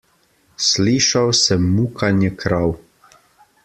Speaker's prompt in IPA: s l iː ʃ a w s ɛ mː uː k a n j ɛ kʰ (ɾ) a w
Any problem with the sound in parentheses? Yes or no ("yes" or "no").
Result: no